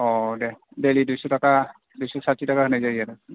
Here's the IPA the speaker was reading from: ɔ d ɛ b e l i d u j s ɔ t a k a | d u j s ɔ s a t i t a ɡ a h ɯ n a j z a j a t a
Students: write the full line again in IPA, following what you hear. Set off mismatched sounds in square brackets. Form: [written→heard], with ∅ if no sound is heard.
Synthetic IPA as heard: ɔ d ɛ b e l i d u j s ɔ t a k a | d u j s ɔ s a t i t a [ɡ→k] a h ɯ n a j z a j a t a